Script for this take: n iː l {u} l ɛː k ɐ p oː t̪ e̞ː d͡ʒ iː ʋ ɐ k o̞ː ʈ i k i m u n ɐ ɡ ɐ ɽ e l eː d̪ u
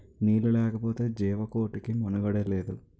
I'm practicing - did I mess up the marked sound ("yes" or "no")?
no